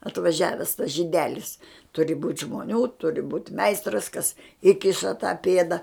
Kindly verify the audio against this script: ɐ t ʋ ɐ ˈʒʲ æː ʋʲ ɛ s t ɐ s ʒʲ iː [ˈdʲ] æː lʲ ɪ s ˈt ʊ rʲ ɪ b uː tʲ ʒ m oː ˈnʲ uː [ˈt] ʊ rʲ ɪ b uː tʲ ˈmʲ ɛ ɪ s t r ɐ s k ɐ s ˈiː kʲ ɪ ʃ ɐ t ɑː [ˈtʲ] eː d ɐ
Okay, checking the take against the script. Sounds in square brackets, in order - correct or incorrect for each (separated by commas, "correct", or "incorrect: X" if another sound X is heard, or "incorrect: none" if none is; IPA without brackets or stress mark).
correct, correct, incorrect: pʲ